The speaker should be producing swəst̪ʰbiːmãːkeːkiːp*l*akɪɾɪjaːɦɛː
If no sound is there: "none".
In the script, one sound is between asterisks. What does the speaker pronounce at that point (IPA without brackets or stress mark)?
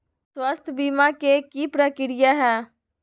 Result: ɾ